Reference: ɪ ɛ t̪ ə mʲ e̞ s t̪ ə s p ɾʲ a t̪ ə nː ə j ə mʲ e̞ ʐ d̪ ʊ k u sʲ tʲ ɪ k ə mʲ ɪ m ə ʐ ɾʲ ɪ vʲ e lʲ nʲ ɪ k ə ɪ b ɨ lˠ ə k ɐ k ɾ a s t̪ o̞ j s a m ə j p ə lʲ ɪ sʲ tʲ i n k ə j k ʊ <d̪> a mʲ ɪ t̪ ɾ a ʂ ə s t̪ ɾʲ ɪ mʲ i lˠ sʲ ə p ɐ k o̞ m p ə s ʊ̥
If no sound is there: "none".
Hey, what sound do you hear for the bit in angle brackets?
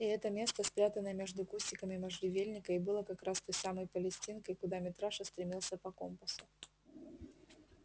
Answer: d̪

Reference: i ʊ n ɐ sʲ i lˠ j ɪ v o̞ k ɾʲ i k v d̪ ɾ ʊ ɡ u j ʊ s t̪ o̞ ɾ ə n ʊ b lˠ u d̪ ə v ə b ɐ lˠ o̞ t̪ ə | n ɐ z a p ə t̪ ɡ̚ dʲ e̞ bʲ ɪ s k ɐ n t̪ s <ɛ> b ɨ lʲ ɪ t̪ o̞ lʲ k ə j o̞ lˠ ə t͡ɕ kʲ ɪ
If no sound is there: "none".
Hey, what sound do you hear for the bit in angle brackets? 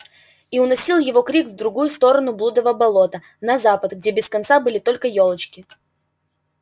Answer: a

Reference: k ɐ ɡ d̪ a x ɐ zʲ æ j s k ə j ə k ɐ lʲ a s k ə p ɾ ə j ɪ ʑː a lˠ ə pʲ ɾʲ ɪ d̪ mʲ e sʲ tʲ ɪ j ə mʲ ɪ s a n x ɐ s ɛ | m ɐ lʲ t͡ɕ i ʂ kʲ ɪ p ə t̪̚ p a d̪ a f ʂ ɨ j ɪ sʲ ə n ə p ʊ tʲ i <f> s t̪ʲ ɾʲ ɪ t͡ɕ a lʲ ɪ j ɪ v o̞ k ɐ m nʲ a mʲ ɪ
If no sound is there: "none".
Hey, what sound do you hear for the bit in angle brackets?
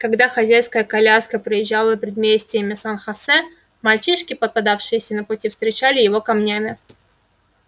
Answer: f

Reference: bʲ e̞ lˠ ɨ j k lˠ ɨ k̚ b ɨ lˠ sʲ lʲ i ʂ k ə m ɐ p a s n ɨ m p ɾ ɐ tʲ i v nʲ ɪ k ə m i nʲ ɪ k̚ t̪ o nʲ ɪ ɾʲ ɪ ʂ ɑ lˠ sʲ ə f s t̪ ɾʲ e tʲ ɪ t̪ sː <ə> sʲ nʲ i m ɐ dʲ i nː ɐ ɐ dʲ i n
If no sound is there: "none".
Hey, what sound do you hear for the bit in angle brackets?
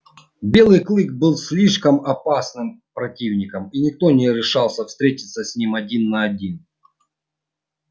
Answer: ə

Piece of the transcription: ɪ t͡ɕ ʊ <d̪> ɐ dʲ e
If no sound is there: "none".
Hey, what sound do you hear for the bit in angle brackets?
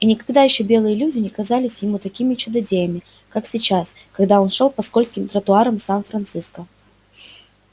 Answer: d̪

